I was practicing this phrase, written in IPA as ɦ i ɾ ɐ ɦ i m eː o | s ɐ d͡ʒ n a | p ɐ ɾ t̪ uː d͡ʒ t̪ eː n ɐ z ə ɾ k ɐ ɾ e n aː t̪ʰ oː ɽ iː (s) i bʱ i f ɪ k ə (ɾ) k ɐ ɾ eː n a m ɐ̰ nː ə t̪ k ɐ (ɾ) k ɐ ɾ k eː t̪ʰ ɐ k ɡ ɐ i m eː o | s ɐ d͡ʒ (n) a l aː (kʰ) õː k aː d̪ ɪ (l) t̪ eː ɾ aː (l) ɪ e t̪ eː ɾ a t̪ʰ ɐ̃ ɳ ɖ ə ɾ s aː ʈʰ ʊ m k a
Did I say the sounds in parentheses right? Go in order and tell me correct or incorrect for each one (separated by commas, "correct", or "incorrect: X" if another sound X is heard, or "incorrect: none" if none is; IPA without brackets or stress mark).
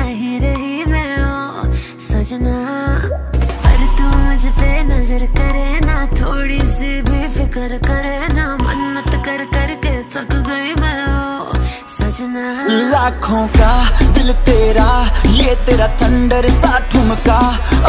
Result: correct, correct, correct, correct, correct, correct, correct